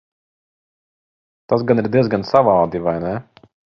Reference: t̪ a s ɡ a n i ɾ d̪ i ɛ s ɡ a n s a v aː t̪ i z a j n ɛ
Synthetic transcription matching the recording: t̪ a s ɡ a n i ɾ d̪ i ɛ z ɡ a n s a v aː d̪ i v a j n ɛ